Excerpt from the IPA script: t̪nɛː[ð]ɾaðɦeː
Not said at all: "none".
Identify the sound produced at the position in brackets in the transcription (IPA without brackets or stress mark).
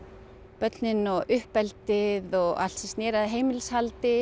none